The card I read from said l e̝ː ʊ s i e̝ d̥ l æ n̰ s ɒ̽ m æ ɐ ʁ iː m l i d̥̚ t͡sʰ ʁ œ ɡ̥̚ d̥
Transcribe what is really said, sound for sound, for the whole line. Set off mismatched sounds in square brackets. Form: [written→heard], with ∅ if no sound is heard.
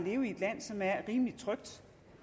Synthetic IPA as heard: l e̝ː ʊ [s→∅] i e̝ d̥ l æ n̰ s ɒ̽ m æ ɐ ʁ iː m l i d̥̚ t͡sʰ ʁ œ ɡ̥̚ d̥